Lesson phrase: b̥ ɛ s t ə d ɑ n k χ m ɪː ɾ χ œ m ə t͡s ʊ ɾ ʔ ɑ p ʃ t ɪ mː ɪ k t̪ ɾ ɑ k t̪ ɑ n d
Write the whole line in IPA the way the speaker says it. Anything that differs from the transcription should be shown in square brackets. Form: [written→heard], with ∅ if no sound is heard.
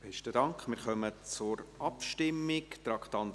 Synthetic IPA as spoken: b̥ ɛ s t ə d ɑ [n→ŋ] k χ m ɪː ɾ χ œ m ə t͡s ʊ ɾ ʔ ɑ p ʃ t ɪ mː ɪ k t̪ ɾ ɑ k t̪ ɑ n d

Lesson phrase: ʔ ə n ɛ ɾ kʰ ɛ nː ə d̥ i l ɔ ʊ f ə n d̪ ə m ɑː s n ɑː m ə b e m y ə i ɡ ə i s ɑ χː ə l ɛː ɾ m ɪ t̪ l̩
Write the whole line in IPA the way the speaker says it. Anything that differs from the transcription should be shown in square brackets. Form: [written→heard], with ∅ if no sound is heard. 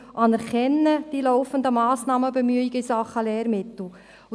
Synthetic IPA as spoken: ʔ [ə→ɑ] n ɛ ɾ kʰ ɛ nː ə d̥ i l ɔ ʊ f ə n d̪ ə m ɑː s n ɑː m ə b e m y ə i ɡ ə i s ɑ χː ə l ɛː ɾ m ɪ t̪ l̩

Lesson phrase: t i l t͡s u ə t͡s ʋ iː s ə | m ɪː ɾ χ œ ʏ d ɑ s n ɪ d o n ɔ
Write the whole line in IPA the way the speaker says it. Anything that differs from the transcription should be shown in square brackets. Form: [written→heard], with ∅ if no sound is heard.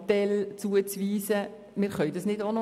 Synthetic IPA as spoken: t [i→ɛ] l t͡s u ə t͡s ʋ iː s ə | m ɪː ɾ χ œ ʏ d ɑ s n ɪ d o n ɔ

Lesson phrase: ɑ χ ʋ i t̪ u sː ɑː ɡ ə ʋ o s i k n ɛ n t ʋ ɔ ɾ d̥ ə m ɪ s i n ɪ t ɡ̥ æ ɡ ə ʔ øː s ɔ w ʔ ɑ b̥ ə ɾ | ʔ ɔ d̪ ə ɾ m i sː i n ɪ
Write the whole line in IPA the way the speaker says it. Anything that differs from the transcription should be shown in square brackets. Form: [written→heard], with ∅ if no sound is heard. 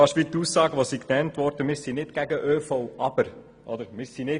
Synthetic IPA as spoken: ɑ [χ→ʃ] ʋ i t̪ u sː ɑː ɡ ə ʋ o s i k n ɛ n t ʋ ɔ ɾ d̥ ə m ɪ s i n ɪ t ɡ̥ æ ɡ ə ʔ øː [s→f] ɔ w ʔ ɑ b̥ ə ɾ | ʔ ɔ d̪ ə ɾ m [i→ɪ] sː i n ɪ

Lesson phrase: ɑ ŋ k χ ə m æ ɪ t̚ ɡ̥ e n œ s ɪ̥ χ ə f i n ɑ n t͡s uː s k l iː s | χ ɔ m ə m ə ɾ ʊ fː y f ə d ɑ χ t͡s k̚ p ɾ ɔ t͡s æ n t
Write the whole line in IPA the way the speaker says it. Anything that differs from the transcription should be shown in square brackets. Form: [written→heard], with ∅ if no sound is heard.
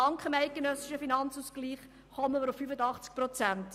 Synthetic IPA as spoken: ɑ ŋ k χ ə m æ ɪ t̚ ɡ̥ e n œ s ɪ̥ [χ→ʃ] ə f i n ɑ n t͡s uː s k l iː [s→χ] | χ ɔ m ə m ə ɾ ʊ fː y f ə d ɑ χ t͡s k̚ p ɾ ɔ t͡s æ n t

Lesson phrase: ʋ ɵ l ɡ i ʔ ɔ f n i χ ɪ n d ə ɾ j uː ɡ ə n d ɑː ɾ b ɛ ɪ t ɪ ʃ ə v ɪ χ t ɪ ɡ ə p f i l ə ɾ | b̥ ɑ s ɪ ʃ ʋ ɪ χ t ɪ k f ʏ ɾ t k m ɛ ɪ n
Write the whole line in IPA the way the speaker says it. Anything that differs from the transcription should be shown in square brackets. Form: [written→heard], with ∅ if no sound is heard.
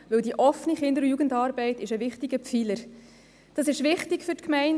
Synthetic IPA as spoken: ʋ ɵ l [ɡ→d] i ʔ ɔ f n i χ ɪ n d ə ɾ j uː ɡ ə n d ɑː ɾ b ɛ ɪ t ɪ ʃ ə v ɪ χ t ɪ ɡ ə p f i l ə ɾ | [b̥→d̥] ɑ s ɪ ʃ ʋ ɪ χ t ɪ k f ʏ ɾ t k m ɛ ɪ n

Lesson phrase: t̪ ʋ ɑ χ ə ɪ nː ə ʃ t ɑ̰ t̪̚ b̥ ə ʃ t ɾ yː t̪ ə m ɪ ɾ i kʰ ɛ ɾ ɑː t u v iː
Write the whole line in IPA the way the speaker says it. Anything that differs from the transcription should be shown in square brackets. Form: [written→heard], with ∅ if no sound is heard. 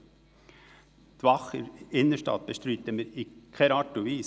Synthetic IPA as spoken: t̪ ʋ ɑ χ ə ɪ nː ə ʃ t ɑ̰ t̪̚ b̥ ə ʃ t ɾ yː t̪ ə m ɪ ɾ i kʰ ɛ ɾ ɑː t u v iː

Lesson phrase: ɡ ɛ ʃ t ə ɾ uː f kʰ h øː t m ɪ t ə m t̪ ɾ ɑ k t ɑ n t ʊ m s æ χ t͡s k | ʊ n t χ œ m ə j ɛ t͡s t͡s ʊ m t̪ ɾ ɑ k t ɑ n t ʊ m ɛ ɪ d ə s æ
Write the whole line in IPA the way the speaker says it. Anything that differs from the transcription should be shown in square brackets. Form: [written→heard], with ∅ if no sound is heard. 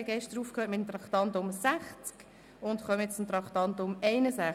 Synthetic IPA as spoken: ɡ ɛ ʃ t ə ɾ uː f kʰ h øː t m ɪ t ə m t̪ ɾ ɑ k t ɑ n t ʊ m s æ χ t͡s k | ʊ n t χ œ m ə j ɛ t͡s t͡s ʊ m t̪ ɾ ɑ k t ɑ n t ʊ m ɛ ɪ [d→n] ə s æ

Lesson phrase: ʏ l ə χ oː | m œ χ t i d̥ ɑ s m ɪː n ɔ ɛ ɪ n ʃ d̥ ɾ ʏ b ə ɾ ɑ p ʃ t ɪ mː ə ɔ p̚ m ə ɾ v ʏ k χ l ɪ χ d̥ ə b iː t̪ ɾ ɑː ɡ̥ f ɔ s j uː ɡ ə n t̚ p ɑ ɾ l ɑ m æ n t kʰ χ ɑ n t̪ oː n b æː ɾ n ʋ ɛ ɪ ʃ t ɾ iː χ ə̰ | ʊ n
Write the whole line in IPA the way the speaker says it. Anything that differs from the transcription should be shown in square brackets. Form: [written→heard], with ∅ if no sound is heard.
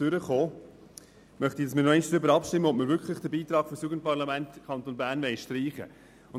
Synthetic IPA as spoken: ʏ [l→ɾ] ə χ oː | m œ χ t i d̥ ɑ s m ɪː n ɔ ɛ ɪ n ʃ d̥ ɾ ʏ b ə ɾ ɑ p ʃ t ɪ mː ə ɔ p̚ m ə ɾ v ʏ k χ l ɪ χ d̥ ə b iː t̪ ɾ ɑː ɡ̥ f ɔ s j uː ɡ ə n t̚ p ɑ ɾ l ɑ m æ n t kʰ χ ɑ n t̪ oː n b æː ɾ n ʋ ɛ ɪ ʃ t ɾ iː χ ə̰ | ʊ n

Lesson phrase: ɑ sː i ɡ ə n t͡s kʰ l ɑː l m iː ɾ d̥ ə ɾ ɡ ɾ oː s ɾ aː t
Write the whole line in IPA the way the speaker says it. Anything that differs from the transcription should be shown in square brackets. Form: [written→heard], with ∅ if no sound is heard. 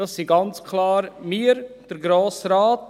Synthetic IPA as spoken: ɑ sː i ɡ [ə→ɑ] n t͡s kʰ l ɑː [l→ɾ] m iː ɾ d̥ ə ɾ ɡ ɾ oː s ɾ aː t

